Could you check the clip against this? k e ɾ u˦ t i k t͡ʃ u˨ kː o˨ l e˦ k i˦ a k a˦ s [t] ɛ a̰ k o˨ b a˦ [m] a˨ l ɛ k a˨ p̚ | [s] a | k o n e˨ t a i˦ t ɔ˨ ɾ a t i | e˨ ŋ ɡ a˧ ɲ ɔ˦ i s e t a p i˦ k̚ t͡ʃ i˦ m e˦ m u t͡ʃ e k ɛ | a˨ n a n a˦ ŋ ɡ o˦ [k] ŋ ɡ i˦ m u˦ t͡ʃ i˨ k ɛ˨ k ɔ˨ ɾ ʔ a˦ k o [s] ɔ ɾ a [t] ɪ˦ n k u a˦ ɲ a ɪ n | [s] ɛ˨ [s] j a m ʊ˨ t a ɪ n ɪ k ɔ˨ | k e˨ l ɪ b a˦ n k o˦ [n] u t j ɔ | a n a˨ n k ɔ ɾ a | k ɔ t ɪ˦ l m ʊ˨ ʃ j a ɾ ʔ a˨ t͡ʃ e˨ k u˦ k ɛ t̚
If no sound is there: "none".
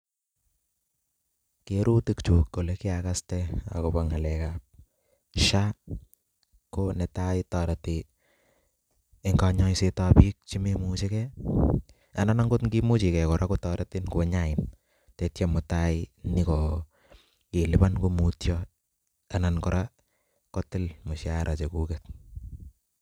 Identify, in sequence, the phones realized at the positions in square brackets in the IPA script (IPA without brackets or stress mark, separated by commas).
t, ŋ, ʃ, t, t, t, t, t, m